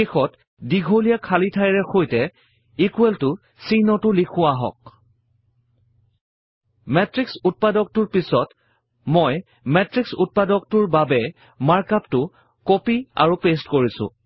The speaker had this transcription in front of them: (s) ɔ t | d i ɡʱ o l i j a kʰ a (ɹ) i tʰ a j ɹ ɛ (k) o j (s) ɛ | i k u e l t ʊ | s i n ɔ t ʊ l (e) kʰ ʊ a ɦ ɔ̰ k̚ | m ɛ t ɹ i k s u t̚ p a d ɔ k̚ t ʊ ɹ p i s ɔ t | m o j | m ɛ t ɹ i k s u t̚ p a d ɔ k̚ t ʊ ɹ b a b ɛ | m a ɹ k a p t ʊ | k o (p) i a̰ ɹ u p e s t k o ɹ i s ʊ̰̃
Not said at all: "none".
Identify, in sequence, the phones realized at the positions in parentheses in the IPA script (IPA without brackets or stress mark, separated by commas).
x, l, x, t, i, p